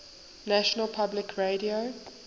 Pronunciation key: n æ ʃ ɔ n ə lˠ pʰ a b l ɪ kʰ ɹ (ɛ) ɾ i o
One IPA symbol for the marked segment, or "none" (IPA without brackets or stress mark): e